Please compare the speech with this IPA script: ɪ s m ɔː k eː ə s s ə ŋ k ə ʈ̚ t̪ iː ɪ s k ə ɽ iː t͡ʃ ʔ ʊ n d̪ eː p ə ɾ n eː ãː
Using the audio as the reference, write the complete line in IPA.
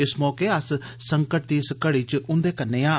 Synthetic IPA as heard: ɪ s m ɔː k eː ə s s ə ŋ k ə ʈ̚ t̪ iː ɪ s k ə ɽ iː t͡ʃ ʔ ʊ n d̪ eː k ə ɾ n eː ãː